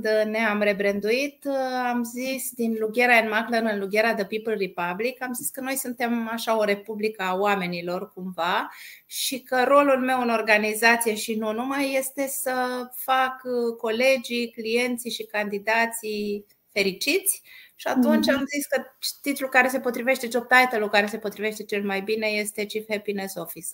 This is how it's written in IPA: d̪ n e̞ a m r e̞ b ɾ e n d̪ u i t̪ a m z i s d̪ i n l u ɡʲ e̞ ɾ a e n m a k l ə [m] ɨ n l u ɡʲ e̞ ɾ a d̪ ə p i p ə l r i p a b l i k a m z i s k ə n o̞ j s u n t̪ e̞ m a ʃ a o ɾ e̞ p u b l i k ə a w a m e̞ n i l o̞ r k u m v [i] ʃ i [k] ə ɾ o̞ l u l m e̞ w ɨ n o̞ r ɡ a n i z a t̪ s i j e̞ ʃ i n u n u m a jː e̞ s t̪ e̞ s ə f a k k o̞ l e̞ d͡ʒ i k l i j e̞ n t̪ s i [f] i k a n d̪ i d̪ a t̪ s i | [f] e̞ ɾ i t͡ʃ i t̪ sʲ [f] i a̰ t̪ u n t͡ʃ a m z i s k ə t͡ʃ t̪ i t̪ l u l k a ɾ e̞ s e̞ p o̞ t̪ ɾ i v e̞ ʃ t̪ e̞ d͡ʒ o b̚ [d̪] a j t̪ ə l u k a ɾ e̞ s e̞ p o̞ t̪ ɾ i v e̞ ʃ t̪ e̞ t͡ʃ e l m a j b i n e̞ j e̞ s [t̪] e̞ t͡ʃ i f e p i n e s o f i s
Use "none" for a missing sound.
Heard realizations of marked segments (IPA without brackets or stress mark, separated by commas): n, a, k, ʃ, f, ʃ, t̪, t̪